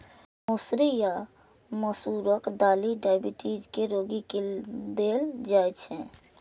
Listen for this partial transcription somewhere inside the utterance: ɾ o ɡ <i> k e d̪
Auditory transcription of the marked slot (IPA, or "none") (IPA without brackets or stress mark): i